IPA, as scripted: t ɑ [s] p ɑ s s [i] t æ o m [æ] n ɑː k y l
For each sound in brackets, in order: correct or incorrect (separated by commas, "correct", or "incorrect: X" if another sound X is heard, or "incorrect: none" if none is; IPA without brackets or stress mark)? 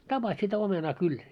incorrect: none, correct, incorrect: e